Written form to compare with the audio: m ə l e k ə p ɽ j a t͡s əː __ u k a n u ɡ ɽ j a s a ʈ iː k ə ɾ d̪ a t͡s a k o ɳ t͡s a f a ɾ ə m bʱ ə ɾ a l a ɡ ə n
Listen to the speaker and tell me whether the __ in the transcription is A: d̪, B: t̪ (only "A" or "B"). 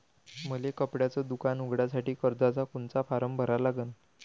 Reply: A